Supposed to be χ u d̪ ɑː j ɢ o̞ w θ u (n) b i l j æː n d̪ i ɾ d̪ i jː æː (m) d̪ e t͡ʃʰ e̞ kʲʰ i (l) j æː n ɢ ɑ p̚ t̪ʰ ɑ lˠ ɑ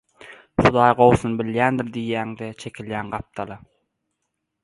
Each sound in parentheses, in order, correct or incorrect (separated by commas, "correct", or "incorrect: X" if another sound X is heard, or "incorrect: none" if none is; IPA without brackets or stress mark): correct, incorrect: ŋ, correct